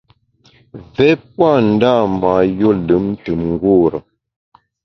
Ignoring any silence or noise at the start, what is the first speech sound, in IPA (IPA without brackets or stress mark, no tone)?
v